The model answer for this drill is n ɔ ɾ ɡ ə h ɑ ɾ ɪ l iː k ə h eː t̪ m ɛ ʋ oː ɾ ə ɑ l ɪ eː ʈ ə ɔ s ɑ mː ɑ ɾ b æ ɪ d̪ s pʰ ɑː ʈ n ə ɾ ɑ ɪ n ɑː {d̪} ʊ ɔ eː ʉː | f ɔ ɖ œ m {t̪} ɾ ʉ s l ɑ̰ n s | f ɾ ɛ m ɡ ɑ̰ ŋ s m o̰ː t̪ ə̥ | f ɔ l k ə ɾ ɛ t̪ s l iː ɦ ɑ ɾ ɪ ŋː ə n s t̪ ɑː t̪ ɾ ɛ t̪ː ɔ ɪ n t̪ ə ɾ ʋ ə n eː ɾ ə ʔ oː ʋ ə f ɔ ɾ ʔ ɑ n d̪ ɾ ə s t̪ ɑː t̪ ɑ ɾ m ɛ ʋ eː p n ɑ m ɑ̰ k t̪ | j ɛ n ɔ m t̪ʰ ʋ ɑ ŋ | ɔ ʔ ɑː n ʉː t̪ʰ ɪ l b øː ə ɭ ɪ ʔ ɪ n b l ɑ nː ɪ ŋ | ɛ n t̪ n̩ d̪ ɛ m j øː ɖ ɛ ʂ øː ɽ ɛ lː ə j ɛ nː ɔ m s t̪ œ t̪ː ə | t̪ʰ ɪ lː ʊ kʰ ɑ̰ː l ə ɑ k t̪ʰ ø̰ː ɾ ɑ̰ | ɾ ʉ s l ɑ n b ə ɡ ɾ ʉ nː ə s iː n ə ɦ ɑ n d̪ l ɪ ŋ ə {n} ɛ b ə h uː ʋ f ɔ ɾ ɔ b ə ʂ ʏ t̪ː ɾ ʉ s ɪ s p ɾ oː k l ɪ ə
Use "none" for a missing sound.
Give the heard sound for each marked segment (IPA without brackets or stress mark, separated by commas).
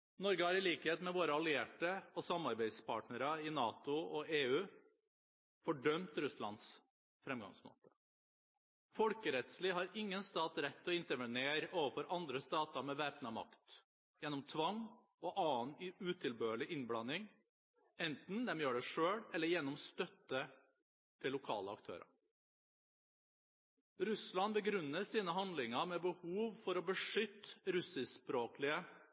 t̪, t̪, m